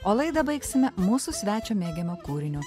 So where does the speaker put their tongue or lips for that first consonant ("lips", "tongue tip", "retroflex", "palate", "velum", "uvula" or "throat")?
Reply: tongue tip